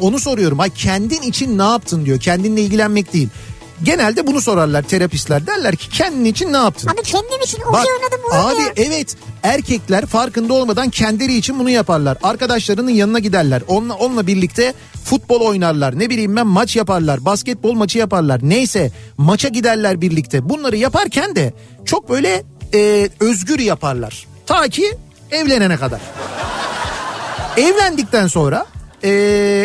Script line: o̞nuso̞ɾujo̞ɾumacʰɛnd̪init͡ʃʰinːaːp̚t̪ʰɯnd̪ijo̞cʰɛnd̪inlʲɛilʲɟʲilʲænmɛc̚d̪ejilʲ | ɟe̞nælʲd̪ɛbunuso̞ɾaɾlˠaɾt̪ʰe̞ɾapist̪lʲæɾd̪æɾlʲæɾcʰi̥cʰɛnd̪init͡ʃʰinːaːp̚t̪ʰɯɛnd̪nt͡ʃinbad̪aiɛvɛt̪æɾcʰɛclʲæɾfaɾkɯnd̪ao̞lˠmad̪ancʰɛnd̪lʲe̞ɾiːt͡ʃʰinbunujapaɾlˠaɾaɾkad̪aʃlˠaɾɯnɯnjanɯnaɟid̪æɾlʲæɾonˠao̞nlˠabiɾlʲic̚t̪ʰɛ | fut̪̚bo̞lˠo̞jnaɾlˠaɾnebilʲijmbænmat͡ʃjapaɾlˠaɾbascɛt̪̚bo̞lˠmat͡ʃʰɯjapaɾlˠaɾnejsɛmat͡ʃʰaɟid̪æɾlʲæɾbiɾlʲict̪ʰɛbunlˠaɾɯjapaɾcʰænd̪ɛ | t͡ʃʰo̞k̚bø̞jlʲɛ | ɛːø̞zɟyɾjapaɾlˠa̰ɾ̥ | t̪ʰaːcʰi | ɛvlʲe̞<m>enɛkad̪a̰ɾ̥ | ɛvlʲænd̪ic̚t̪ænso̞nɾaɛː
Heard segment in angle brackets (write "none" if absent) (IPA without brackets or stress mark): n